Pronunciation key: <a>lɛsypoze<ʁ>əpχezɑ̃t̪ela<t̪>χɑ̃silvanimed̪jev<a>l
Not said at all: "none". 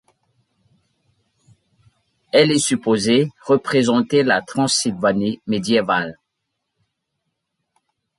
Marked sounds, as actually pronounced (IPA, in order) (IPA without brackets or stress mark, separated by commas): ɛ, ʁ, t̪, a